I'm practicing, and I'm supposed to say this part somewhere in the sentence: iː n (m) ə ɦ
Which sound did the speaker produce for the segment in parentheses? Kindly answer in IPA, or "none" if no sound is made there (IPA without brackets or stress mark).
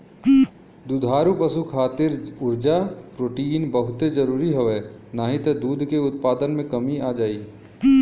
b